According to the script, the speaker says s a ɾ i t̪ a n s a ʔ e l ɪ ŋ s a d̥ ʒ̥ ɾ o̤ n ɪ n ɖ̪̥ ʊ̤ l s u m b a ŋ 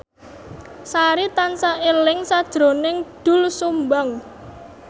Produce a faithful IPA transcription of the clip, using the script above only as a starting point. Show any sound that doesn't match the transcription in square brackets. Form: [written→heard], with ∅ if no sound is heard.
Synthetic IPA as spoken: s a ɾ i t̪ a n s a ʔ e l ɪ ŋ s a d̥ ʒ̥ ɾ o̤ n ɪ [n→ŋ] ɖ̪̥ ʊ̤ l s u m b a ŋ